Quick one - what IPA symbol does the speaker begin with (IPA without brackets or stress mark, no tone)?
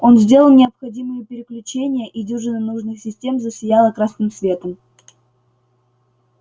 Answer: o̞